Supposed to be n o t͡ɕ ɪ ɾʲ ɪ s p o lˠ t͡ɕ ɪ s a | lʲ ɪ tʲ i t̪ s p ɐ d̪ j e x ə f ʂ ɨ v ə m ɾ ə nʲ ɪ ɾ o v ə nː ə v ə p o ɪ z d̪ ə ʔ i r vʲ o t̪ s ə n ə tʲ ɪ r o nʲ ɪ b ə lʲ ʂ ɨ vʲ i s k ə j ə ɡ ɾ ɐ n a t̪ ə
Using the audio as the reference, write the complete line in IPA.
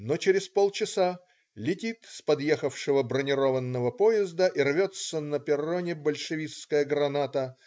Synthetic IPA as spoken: n o t͡ɕ ɪ ɾʲ ɪ s p o lˠ t͡ɕ ɪ s a | lʲ ɪ tʲ i t̪ s p ɐ d̪ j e x ə f ʂ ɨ v ə b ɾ ə nʲ ɪ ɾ o v ə nː ə v ə p o ɪ z d̪ ə ʔ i r vʲ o t̪ s ə n ə pʲ ɪ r o nʲ ɪ b ə lʲ ʂ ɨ vʲ i s k ə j ə ɡ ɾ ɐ n a t̪ ə